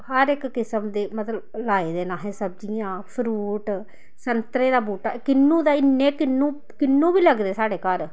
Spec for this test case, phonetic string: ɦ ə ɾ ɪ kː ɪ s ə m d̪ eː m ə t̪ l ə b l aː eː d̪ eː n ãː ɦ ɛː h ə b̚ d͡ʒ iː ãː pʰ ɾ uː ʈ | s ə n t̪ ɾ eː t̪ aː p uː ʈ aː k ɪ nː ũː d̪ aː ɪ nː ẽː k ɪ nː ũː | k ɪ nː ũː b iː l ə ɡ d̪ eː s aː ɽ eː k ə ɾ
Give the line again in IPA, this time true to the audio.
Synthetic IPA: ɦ ə ɾ ɪ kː ɪ s ə m d̪ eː m ə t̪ l ə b l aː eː d̪ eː n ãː ɦ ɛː s ə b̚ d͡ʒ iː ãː pʰ ɾ uː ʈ | s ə n t̪ ɾ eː d̪ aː b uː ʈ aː k ɪ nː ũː d̪ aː ɪ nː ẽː k ɪ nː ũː | k ɪ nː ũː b iː l ə ɡ d̪ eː s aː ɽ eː k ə ɾ